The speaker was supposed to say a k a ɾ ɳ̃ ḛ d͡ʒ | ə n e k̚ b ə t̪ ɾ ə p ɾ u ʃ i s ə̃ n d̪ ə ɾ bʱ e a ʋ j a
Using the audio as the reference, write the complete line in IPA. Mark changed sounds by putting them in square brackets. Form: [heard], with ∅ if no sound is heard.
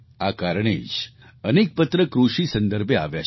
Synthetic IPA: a k a ɾ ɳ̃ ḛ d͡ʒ | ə n e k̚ [p] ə t̪ ɾ ə [k] ɾ u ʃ i s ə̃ n d̪ ə ɾ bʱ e a ʋ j a